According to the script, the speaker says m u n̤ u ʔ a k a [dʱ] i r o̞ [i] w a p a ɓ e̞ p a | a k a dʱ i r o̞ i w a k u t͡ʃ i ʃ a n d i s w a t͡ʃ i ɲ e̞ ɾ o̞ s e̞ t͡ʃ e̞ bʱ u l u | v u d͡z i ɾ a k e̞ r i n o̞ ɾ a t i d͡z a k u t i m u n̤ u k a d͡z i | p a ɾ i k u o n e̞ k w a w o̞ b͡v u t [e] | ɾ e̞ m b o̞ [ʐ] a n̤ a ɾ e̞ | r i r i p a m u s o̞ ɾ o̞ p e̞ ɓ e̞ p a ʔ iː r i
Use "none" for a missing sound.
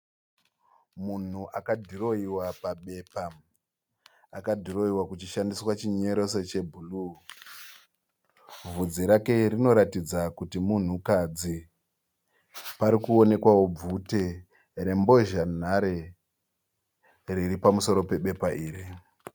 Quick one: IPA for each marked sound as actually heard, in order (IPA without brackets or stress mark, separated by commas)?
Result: dʱ, i, e, ʒ